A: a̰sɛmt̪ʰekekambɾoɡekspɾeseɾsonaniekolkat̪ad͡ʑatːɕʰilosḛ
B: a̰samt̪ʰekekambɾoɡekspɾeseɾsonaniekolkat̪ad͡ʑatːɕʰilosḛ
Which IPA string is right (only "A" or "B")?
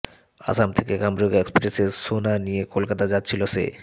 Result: B